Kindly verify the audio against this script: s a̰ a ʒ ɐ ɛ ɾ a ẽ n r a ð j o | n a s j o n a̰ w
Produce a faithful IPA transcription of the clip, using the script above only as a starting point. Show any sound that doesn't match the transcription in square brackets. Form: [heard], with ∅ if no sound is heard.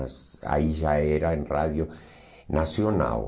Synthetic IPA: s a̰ [i] ʒ [a] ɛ ɾ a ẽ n r a ð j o | n a s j o n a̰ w